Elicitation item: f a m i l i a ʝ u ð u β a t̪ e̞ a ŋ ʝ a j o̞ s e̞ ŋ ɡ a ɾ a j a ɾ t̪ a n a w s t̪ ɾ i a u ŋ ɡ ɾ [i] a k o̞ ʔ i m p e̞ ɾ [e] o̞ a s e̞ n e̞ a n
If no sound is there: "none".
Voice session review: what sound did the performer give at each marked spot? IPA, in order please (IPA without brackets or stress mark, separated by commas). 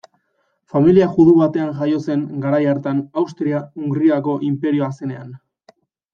i, i